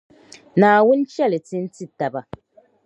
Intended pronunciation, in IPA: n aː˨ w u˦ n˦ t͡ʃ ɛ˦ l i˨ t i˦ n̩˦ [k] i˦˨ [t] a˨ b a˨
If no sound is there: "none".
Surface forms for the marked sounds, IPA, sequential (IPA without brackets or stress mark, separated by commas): t, t